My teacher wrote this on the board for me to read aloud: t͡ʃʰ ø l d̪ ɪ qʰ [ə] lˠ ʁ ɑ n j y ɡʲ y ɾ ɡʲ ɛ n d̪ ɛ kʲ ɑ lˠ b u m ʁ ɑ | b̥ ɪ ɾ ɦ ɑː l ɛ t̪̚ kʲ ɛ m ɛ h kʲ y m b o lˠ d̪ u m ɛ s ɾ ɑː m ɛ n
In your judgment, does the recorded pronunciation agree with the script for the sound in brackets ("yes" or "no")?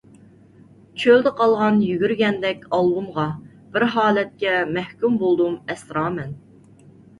no